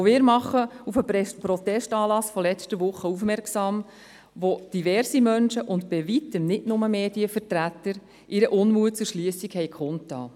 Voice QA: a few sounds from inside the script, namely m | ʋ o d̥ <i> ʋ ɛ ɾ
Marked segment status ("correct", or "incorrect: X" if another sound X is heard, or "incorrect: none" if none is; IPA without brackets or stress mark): correct